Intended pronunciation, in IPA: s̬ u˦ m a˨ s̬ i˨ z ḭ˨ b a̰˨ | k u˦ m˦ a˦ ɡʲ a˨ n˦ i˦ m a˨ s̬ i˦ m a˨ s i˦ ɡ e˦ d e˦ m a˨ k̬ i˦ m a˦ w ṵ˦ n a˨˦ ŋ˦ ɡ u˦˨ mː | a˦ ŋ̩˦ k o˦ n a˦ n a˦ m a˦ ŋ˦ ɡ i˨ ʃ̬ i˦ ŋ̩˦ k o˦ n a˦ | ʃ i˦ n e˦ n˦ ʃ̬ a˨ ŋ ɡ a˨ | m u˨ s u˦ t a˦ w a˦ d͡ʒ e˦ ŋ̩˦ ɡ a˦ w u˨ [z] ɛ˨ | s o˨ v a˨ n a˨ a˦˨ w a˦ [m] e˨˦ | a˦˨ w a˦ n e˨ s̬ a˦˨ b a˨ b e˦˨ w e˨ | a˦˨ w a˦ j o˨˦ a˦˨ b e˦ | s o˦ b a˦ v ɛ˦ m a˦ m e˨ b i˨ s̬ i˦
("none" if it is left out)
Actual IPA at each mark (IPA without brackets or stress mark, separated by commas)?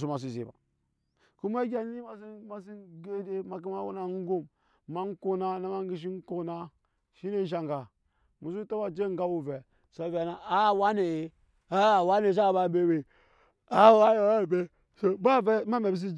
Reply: v, n